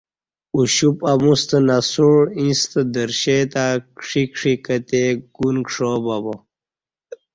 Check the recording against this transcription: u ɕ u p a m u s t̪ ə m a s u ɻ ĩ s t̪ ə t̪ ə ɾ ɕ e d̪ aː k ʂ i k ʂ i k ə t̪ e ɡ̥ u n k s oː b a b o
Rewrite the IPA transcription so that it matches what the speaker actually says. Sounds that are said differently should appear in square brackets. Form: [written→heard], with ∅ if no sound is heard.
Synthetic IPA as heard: u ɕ u p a m u s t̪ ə [m→n] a s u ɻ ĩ s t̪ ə [t̪→d̪] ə ɾ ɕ e [d̪→t̪] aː k ʂ i k ʂ i k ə t̪ e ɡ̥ u n k [s→ʂ] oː b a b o